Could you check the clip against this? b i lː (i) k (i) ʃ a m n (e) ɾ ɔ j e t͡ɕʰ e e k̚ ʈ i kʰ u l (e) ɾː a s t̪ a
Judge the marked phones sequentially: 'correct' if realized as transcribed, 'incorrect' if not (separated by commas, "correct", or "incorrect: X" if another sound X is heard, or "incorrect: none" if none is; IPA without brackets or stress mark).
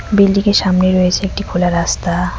correct, incorrect: e, correct, incorrect: a